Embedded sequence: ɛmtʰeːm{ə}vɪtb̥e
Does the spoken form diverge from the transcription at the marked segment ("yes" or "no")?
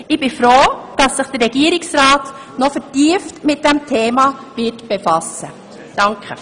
yes